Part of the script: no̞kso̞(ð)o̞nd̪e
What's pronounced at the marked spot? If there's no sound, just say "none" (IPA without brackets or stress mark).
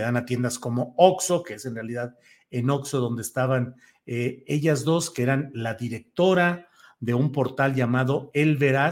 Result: ð